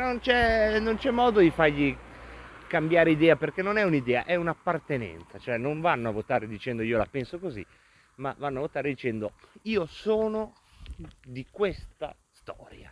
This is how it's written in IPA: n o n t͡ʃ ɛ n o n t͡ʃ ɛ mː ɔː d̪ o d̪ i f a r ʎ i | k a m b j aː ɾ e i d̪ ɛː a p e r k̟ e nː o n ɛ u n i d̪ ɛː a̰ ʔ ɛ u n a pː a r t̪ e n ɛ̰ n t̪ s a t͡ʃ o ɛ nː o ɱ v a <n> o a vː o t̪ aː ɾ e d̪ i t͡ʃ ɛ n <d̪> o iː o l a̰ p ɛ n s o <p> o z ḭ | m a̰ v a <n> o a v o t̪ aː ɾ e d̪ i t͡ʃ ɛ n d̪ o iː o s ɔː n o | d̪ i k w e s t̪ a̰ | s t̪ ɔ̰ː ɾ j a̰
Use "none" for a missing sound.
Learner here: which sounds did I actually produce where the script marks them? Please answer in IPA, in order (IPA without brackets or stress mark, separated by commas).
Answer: nː, d̪, k, nː